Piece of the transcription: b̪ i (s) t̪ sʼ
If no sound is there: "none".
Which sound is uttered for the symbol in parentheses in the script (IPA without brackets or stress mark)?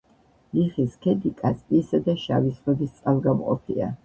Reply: s